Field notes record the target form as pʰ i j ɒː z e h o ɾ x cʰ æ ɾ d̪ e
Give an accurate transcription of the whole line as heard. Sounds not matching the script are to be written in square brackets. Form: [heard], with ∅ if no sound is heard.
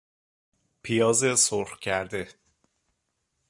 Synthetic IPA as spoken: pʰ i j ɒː z e [s] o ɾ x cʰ æ ɾ d̪ e